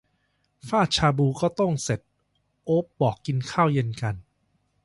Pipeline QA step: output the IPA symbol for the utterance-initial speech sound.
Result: f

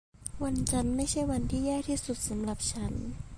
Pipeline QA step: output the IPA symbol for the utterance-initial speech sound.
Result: w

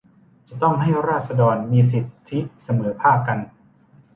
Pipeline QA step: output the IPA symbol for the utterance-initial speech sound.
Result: t͡ɕ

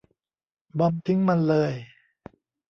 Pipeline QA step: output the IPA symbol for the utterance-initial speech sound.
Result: b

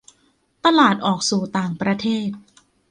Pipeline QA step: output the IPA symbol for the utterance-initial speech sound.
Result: t̪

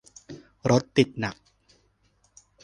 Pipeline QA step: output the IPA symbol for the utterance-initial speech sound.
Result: ɾ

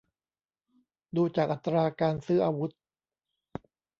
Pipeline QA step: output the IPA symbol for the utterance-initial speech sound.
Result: d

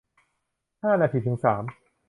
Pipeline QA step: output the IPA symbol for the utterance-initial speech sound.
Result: h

